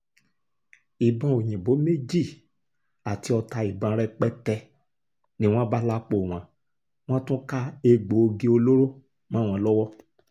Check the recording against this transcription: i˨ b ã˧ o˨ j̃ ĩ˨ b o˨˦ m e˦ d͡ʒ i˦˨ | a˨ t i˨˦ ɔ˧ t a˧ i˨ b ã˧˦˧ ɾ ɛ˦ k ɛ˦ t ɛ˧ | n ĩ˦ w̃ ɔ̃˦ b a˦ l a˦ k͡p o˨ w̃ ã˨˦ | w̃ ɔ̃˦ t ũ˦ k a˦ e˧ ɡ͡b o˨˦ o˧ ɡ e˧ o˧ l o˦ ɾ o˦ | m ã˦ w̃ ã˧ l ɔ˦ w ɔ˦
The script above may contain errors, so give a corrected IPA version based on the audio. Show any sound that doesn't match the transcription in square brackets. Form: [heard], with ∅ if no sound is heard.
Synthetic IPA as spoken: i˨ b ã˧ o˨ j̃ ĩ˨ b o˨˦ m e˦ d͡ʒ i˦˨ | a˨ t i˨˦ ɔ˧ t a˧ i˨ b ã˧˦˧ ɾ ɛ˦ [k͡p] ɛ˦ t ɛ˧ | n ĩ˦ w̃ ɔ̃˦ b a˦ l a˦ k͡p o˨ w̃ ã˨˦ | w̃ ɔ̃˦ t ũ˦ k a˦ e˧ ɡ͡b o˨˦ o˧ ɡ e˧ o˧ l o˦ ɾ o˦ | m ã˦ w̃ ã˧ l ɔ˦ w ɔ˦